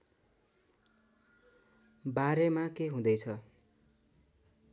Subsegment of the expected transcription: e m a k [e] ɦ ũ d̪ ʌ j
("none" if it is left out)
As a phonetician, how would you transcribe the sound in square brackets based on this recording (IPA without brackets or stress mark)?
e